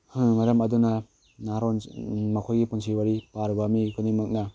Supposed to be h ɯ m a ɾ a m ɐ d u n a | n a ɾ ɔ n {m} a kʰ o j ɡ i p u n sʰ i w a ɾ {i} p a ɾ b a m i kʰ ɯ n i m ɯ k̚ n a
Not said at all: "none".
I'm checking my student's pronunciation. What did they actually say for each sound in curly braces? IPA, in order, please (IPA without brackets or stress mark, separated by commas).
m, i